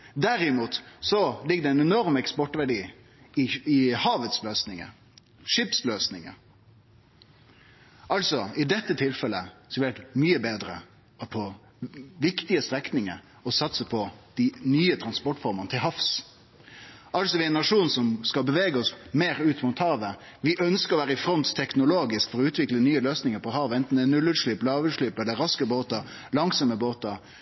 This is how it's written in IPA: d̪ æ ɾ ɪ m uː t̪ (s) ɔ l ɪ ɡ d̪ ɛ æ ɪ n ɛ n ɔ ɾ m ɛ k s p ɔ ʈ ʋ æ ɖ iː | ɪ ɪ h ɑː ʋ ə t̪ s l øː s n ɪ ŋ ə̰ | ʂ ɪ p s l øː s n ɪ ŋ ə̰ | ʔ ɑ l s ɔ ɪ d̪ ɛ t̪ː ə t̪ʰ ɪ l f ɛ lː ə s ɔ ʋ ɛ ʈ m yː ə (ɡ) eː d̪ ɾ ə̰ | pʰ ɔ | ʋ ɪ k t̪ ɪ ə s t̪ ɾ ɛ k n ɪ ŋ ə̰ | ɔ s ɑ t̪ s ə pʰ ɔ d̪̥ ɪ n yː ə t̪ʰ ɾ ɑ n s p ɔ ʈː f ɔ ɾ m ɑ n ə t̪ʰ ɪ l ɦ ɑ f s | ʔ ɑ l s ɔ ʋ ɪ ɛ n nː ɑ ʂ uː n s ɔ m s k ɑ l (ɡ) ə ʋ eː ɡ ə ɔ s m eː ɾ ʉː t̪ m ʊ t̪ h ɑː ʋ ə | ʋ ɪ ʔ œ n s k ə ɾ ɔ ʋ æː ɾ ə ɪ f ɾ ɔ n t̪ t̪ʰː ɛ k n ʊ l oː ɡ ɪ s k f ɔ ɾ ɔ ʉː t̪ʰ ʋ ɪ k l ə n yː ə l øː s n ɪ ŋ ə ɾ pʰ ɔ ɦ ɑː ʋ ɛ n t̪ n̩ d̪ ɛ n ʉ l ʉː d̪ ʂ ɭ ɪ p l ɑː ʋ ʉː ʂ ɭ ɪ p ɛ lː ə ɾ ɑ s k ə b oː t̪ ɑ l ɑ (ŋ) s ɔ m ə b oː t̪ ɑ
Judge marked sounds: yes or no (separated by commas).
yes, no, no, yes